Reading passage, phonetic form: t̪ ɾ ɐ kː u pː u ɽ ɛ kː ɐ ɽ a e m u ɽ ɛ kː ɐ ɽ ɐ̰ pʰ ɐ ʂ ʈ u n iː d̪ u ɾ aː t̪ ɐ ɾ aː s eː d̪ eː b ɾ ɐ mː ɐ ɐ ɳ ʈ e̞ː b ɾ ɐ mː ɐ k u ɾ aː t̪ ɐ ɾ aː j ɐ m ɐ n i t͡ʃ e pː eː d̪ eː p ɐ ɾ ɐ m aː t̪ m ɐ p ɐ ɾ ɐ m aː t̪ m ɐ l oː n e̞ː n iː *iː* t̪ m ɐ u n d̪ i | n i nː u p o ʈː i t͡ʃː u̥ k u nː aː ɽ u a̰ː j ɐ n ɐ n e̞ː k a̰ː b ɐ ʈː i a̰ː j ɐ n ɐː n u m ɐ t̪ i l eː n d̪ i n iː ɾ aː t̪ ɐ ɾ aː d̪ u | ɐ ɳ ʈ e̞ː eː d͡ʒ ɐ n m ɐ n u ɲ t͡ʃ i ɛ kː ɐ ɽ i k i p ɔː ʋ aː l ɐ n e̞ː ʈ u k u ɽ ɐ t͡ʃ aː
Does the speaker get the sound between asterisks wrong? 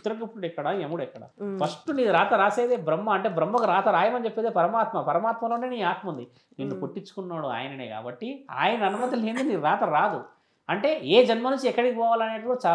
yes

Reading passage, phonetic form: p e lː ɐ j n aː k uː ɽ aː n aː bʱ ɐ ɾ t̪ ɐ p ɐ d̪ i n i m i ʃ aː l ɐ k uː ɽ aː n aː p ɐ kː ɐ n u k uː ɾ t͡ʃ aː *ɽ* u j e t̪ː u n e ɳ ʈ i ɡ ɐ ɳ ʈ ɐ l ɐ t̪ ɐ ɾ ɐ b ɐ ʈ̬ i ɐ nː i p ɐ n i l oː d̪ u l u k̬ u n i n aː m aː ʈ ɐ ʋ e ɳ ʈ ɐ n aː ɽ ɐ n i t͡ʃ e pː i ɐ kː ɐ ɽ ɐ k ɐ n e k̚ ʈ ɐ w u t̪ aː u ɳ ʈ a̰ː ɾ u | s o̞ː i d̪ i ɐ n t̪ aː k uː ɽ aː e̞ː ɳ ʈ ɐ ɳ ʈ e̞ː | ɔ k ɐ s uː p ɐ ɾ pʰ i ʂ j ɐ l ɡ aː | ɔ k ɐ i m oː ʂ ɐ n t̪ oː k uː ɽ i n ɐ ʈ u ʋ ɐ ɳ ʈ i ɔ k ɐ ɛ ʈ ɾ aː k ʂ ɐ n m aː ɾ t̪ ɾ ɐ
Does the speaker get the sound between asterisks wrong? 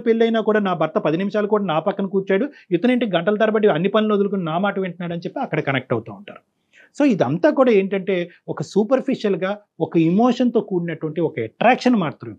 no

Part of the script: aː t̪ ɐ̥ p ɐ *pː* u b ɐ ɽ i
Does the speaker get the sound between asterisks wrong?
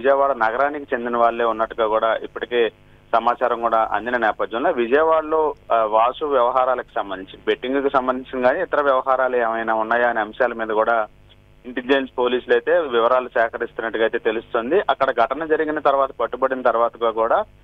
yes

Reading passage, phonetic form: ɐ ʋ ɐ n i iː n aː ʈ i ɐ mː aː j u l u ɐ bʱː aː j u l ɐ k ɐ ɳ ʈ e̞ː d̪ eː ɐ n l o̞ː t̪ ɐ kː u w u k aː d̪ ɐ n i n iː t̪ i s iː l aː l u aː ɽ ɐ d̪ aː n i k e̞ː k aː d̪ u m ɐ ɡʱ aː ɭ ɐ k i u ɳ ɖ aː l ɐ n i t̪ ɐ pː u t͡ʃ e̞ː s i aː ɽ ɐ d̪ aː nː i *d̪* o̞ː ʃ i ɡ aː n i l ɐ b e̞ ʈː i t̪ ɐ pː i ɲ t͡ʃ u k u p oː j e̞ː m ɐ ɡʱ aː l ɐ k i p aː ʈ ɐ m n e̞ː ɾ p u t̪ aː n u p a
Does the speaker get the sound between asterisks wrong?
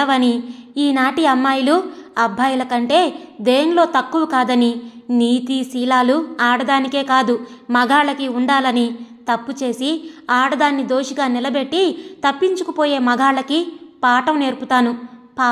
no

